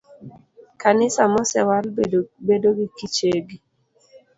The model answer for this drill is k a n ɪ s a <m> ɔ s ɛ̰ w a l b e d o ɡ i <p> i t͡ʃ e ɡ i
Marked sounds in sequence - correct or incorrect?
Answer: correct, incorrect: k

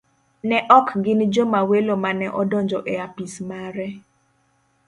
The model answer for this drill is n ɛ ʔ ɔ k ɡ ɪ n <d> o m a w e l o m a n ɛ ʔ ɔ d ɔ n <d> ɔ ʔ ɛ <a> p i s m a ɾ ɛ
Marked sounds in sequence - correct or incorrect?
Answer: incorrect: d͡ʒ, incorrect: d͡ʒ, correct

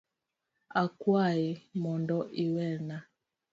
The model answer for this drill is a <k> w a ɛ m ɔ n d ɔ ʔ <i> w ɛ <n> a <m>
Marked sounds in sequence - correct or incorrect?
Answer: correct, correct, correct, incorrect: none

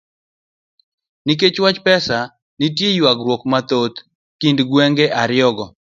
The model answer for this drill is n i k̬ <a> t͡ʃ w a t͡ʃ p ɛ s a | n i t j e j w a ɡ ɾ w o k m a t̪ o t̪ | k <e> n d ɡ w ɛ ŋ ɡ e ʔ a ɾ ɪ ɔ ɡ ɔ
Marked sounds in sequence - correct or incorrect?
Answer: incorrect: e, incorrect: i

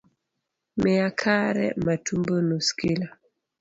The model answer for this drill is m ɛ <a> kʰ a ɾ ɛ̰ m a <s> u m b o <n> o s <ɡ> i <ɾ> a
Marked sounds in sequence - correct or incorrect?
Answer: correct, incorrect: t, correct, incorrect: k, incorrect: l

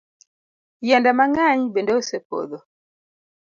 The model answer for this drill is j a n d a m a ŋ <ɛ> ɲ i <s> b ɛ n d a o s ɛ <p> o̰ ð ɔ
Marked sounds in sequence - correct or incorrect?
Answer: incorrect: a, incorrect: none, correct

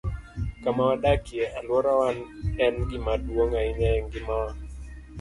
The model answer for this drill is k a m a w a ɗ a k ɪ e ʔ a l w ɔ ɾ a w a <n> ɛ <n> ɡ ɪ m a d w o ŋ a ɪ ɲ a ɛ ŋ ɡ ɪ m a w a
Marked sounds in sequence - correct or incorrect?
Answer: correct, correct

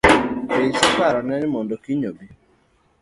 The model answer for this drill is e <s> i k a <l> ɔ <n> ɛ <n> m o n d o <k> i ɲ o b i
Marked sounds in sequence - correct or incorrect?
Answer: correct, incorrect: ɾ, correct, correct, correct

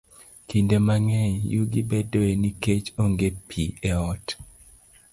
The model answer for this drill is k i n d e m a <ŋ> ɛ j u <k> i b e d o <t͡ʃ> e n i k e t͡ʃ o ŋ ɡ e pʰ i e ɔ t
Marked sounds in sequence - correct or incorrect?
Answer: correct, incorrect: ɡ, incorrect: none

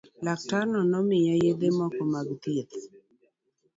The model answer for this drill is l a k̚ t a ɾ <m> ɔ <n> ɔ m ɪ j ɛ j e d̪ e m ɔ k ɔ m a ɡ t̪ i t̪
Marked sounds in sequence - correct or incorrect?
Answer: incorrect: n, correct

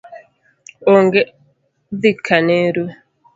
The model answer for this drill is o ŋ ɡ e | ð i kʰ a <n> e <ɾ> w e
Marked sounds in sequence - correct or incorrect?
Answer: correct, correct

